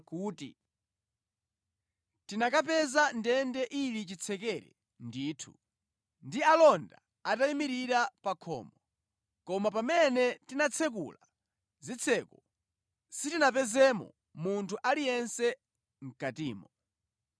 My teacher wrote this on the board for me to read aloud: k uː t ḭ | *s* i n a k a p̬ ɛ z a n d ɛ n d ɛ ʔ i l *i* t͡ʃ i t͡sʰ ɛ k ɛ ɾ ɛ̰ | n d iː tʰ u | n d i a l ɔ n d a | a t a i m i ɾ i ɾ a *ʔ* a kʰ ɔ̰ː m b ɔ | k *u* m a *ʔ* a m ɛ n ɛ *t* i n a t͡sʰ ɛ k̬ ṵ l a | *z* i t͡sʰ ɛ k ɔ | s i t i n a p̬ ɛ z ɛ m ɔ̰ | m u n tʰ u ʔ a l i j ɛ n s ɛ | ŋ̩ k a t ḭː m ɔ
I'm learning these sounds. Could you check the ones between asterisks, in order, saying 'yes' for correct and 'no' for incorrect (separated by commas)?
no, yes, no, no, no, yes, yes